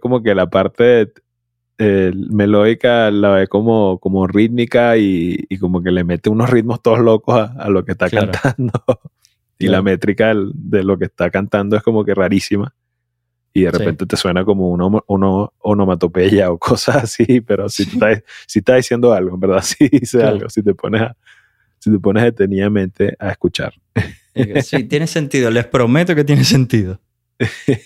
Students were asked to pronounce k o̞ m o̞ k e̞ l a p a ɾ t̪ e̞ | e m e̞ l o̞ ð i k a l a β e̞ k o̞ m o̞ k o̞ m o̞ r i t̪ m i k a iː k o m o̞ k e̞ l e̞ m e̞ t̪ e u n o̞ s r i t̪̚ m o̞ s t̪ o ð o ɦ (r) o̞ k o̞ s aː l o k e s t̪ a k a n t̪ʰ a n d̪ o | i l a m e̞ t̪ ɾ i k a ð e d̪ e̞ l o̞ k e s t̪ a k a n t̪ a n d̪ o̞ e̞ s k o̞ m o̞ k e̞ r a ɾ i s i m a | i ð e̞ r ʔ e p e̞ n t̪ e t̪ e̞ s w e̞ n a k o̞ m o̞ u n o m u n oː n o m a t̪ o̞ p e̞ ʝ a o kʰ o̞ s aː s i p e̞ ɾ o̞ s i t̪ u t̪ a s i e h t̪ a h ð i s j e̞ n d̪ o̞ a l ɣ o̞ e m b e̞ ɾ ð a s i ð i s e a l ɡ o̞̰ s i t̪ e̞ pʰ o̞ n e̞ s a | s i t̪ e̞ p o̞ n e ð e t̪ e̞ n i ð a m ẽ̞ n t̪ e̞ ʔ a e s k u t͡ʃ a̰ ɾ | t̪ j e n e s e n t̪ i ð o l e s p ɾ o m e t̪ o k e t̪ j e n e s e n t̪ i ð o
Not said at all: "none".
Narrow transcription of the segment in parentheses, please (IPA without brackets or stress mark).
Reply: l